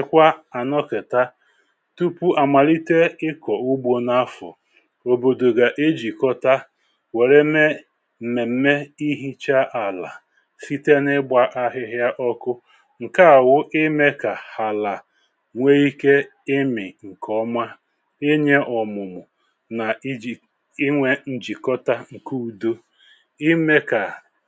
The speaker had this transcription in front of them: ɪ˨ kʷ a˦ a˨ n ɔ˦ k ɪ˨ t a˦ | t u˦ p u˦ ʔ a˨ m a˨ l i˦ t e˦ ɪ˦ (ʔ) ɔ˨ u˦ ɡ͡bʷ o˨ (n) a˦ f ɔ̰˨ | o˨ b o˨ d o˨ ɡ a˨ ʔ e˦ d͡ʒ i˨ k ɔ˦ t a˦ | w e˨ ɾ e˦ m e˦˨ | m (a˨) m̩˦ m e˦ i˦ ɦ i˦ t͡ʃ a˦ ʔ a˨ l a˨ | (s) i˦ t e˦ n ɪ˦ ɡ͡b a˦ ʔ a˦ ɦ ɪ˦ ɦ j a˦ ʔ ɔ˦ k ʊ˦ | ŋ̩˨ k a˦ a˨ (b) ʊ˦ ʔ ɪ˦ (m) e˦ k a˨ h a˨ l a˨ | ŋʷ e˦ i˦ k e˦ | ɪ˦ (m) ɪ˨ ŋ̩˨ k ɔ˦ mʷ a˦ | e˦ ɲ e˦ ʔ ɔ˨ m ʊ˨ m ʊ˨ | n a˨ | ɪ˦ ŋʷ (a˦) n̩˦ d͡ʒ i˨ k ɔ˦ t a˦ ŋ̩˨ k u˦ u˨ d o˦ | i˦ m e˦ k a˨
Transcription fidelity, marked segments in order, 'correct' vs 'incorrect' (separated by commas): incorrect, correct, incorrect, incorrect, incorrect, correct, correct, incorrect